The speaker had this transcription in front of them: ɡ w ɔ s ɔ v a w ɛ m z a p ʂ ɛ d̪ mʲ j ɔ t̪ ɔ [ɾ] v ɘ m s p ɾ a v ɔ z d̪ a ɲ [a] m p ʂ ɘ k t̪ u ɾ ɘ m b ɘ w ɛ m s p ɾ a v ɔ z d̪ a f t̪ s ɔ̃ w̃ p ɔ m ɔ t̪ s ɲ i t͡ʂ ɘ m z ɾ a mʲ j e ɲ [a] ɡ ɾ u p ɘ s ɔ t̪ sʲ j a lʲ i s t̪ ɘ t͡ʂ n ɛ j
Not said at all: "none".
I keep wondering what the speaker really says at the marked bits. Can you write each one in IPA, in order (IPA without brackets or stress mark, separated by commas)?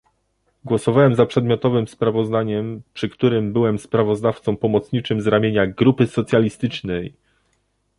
none, ɛ, a